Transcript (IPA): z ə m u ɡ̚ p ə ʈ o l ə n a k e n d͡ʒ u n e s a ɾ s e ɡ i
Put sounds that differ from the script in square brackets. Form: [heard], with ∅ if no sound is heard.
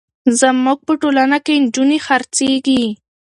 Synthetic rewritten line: z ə m u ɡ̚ p ə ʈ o l [a] n a k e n d͡ʒ u n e [x] a ɾ [t͡s] e ɡ i